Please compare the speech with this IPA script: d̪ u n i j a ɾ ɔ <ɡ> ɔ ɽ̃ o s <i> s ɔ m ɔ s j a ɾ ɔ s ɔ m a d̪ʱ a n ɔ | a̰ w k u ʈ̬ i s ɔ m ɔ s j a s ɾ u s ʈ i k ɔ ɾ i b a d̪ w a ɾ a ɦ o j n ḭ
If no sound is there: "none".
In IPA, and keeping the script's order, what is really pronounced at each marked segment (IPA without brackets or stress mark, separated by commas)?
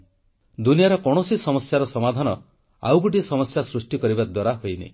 k, i